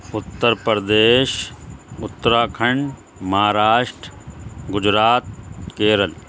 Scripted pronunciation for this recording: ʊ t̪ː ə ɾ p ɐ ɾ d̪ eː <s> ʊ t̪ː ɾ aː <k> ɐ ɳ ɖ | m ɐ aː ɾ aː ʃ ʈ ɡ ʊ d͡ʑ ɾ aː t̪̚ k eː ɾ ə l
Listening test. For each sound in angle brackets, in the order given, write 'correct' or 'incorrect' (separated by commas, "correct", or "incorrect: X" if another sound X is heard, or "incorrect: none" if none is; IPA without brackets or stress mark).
incorrect: ʃ, incorrect: kʰ